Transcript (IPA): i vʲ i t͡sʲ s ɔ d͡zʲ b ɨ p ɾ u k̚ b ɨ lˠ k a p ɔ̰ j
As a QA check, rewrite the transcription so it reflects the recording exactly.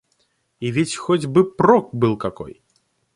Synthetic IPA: i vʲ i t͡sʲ x ɔ d͡zʲ b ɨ p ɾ ɔ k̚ b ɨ lˠ k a k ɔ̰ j

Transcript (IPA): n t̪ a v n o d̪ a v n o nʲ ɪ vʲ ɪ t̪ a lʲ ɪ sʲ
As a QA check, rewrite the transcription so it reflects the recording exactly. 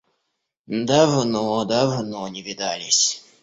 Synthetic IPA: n d̪ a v n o d̪ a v n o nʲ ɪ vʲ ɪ d̪ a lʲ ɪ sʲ

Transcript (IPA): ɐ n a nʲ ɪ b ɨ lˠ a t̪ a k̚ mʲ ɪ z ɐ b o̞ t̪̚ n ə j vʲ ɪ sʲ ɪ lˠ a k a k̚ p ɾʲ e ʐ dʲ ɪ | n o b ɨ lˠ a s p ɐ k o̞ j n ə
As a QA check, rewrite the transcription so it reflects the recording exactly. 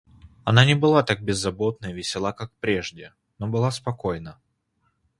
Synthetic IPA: ɐ n a nʲ ɪ b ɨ lˠ a t̪ a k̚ bʲ ɪ zː ɐ b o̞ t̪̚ n ə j vʲ ɪ sʲ ɪ lˠ a k a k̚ p ɾʲ e ʐ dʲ ɪ | n o b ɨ lˠ a s p ɐ k o̞ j n ə

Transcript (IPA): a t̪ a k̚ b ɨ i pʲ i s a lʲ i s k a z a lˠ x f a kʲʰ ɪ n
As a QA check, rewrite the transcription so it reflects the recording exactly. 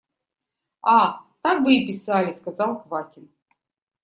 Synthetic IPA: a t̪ a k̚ b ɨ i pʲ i s a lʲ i s k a z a lˠ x v a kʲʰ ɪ n

